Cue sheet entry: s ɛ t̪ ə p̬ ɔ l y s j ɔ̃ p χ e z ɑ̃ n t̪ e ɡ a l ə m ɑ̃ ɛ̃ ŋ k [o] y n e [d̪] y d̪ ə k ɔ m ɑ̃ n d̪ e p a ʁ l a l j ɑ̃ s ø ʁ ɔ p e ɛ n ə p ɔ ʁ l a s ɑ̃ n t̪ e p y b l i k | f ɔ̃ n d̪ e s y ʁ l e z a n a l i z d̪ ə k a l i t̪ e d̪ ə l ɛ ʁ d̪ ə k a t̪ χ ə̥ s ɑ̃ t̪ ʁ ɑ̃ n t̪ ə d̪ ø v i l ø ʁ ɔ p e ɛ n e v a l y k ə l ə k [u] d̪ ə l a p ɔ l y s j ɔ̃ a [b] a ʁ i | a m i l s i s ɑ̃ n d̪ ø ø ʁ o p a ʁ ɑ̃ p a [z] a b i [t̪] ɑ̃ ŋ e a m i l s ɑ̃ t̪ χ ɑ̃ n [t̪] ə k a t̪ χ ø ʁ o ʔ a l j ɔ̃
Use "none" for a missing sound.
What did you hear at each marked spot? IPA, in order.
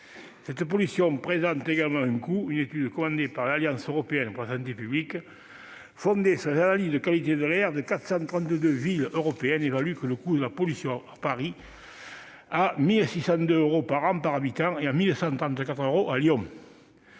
u, t̪, u, p, ʁ, t̪, t̪

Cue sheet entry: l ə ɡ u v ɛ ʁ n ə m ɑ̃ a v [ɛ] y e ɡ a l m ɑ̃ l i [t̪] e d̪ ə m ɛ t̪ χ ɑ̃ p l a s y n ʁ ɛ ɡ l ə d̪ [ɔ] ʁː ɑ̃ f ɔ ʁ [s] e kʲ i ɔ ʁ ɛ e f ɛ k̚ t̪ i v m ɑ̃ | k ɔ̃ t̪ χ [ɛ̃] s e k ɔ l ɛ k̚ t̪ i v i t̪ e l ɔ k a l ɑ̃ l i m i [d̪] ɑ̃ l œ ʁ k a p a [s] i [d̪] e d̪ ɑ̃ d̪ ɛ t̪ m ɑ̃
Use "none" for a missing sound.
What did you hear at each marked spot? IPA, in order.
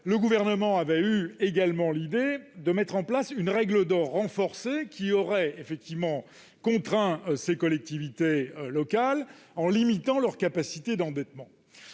ɛ, d̪, ɔ, s, ɛ̃, t̪, s, t̪

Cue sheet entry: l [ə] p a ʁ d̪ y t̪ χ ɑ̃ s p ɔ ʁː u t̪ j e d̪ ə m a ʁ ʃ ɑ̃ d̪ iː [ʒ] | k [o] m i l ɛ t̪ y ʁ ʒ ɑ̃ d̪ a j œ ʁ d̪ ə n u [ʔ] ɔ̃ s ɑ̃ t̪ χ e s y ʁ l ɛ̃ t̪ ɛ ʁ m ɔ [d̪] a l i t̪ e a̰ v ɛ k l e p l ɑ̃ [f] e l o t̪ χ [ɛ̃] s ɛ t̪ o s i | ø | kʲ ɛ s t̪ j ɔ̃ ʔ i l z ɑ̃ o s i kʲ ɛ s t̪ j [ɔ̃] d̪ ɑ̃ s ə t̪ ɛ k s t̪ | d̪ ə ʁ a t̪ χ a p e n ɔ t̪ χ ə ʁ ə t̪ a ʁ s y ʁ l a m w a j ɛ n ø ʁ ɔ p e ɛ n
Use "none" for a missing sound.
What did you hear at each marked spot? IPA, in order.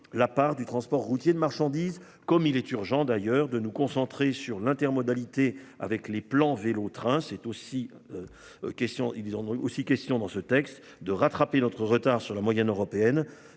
a, z, ɔ, k, d̪, v, ɛ̃, ɔ̃

